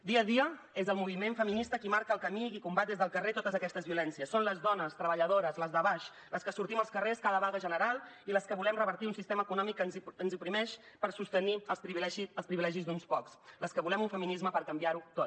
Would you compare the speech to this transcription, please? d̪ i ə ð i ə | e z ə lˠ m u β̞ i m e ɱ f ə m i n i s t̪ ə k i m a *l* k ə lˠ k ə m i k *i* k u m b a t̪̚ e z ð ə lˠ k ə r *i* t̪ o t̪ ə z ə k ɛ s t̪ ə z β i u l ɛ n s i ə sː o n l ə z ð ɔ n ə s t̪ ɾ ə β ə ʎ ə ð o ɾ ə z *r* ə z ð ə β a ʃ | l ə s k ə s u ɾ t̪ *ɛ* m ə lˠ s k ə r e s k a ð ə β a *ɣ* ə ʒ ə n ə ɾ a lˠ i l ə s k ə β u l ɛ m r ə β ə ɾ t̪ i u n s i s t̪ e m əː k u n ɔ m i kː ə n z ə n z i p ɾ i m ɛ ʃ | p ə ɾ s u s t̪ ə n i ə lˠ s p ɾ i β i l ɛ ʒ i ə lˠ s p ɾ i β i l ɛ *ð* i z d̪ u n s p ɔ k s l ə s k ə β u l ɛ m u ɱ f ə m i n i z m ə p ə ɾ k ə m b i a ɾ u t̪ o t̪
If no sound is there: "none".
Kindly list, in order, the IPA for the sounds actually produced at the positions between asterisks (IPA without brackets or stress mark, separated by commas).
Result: ɾ, i, e, l, i, ɣ, ʒ